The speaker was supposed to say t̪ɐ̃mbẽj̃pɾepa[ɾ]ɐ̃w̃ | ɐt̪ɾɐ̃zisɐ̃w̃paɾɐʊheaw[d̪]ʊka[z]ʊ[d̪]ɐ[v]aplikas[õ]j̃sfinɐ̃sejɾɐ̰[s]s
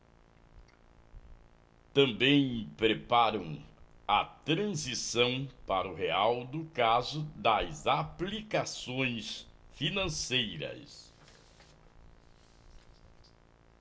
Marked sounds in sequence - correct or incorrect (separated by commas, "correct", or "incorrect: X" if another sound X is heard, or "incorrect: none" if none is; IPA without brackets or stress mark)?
correct, correct, correct, correct, incorrect: z, correct, correct